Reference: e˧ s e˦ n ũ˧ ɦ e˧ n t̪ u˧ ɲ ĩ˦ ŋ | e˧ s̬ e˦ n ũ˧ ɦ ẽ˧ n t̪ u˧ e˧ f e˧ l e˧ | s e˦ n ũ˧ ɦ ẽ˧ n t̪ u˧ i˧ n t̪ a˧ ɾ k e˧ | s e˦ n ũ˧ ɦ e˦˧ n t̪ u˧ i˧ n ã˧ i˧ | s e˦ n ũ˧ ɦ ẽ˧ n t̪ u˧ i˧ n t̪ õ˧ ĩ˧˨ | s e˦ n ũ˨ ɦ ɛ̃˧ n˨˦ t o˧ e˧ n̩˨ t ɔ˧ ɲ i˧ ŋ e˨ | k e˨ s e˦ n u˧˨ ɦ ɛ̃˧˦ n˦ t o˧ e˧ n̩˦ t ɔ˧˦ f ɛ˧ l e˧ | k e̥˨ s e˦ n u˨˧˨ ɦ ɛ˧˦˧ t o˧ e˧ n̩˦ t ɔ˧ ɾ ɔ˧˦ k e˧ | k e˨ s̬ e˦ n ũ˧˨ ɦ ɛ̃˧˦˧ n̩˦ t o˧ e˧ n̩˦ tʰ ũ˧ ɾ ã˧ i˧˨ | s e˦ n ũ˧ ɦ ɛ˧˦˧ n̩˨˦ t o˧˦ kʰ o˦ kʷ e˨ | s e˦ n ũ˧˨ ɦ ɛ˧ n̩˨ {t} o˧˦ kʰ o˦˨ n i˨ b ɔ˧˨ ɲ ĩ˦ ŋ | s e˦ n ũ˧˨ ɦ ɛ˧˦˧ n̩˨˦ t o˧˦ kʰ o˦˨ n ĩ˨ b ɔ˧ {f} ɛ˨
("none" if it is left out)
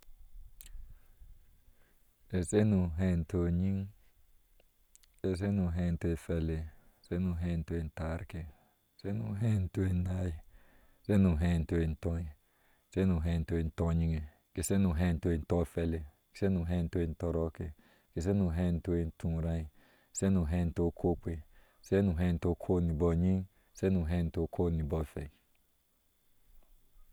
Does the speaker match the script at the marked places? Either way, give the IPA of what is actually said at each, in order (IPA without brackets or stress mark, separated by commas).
t, f